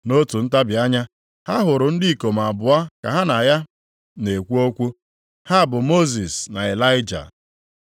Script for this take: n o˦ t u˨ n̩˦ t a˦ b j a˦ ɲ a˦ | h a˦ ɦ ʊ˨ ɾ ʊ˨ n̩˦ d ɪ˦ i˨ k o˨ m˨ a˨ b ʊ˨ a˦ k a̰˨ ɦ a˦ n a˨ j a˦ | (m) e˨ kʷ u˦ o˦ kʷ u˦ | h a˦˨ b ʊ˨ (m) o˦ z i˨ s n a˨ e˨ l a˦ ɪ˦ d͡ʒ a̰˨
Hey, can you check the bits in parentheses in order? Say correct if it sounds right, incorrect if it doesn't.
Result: incorrect: n, correct

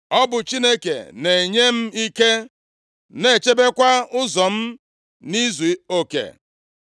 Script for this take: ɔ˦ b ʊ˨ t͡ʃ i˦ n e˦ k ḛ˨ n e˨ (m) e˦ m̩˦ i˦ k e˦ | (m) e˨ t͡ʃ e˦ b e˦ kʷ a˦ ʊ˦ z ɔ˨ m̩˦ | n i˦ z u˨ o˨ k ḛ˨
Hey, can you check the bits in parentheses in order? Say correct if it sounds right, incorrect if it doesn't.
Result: incorrect: ɲ, incorrect: n

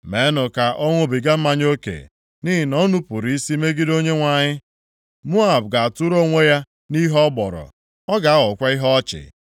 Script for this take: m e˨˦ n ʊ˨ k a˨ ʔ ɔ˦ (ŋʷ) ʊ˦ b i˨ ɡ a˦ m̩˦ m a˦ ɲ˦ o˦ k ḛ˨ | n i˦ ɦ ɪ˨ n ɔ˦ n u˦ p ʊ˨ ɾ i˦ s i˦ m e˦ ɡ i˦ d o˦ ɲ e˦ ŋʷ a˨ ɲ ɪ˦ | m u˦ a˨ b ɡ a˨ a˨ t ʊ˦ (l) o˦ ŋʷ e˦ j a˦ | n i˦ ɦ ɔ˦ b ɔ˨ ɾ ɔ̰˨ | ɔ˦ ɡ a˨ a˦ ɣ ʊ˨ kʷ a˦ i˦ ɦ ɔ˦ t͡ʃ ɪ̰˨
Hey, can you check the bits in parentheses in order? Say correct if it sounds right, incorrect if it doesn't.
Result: correct, incorrect: ɾ

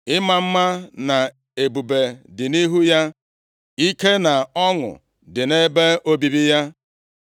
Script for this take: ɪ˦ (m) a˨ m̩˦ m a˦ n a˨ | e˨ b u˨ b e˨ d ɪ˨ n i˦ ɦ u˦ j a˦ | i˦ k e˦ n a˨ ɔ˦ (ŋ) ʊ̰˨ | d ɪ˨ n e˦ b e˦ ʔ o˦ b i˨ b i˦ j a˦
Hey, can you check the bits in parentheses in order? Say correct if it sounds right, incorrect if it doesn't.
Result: correct, correct

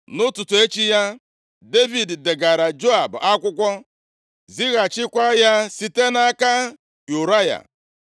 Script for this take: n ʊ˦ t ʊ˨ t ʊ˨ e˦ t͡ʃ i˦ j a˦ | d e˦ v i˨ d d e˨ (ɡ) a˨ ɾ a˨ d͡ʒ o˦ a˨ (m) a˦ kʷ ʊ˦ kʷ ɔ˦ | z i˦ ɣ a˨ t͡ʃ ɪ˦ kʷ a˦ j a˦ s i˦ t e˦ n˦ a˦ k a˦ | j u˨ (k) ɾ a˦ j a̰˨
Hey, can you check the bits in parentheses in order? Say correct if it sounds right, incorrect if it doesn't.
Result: correct, incorrect: b, incorrect: none

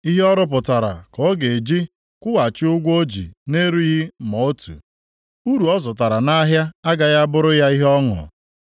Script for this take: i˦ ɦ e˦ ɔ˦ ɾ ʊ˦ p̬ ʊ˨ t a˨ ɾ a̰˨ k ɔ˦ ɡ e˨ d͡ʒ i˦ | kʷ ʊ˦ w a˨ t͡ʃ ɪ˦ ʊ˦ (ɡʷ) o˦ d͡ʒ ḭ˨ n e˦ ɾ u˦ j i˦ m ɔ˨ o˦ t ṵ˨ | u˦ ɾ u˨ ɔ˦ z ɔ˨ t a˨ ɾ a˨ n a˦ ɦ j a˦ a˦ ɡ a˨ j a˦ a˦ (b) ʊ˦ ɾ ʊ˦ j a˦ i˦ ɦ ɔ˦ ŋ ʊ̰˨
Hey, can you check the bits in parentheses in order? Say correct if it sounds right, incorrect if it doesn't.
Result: correct, correct

